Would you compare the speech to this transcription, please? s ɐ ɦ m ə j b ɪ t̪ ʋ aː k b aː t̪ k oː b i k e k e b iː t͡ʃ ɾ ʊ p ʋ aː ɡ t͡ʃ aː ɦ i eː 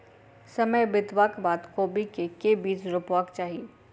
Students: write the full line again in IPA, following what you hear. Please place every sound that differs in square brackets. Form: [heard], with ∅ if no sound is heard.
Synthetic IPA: s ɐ [∅] m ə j b ɪ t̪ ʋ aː k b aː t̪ k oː b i k e k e b iː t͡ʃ ɾ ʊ p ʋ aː [k] t͡ʃ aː ɦ i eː

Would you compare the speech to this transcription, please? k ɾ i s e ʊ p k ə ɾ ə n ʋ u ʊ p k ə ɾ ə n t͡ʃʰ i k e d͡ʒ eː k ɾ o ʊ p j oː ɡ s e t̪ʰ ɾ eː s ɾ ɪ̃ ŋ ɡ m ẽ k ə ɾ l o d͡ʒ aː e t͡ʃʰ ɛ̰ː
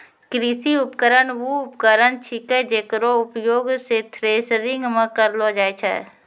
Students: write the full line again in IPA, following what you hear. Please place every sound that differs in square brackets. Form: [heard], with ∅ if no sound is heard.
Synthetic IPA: k ɾ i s [i] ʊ p k ə ɾ ə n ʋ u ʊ p k ə ɾ ə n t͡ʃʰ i k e d͡ʒ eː k ɾ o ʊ p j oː ɡ s e t̪ʰ ɾ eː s ɾ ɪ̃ ŋ ɡ m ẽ k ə ɾ l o d͡ʒ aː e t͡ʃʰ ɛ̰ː

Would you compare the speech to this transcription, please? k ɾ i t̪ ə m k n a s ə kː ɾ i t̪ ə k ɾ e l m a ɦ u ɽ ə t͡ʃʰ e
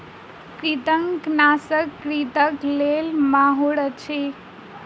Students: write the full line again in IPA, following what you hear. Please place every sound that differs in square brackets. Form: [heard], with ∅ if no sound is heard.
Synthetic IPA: k ɾ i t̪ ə [ŋ] k n a s ə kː ɾ i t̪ ə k [l] e l m a ɦ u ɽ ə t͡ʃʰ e

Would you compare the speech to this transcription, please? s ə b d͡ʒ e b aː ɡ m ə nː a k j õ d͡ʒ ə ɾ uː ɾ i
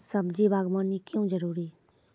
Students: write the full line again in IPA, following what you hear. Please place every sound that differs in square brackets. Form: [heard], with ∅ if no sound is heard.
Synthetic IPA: s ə b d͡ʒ [i] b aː ɡ m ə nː [i] k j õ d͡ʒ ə ɾ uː ɾ i

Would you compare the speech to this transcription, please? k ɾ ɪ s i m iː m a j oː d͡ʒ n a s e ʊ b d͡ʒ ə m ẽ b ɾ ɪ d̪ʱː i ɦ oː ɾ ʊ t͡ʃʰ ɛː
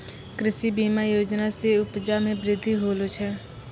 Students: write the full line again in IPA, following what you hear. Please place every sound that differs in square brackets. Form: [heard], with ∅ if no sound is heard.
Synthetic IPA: k ɾ ɪ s i [b] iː m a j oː d͡ʒ n a s e ʊ [p] d͡ʒ [a] m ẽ b ɾ ɪ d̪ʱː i ɦ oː [l] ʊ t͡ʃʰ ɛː

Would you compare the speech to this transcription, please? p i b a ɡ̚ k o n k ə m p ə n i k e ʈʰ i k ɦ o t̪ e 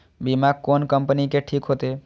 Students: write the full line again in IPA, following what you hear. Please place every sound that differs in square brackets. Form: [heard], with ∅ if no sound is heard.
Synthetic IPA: [b] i [m] a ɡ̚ k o n k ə m p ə n i k e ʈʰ i k ɦ o t̪ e

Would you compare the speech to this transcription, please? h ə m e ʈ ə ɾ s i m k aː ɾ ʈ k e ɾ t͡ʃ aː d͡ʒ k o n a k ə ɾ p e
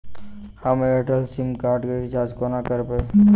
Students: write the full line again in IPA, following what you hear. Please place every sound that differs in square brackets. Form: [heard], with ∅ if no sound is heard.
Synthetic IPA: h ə m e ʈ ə [l] s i m k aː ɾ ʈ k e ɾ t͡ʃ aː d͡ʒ k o n a k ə ɾ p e

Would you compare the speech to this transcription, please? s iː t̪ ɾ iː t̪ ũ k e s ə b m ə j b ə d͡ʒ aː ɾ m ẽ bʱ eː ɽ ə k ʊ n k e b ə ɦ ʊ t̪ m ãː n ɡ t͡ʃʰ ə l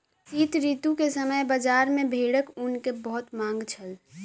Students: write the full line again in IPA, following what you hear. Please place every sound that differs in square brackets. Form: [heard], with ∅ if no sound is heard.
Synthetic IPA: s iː t̪ ɾ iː t̪ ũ k e s ə [∅] m ə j b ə d͡ʒ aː ɾ m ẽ bʱ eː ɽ ə k ʊ n k e b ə ɦ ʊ t̪ m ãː [ŋ] ɡ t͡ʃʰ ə l

